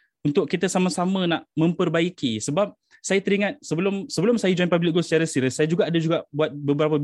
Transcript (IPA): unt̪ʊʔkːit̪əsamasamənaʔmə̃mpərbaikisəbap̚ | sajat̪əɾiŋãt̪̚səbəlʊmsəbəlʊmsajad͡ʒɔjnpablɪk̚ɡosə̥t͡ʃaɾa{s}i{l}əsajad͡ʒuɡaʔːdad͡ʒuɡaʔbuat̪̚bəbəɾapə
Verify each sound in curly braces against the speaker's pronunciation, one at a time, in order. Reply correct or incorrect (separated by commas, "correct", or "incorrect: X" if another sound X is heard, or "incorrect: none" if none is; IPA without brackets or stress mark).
correct, incorrect: ɾ